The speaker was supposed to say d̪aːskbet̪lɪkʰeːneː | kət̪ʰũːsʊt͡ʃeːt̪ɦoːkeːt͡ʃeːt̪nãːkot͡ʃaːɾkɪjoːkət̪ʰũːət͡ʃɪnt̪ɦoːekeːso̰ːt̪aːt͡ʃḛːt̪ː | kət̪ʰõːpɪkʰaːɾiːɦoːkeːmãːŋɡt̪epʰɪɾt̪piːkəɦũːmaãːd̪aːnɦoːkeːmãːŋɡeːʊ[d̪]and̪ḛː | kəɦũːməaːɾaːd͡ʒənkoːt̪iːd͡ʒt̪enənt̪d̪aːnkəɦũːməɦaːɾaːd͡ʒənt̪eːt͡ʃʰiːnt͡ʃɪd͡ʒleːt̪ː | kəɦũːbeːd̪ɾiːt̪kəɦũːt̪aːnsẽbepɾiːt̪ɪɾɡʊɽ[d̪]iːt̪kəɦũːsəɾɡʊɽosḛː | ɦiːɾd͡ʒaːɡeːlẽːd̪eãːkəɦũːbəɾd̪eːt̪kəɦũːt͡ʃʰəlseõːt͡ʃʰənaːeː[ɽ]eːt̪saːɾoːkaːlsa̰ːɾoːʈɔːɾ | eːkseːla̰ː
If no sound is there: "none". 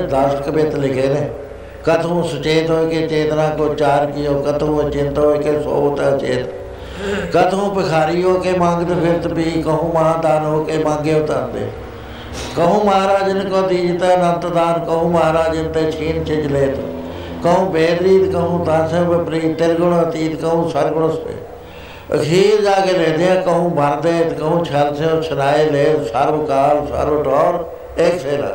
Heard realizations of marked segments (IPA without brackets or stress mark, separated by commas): t̪, t̪, l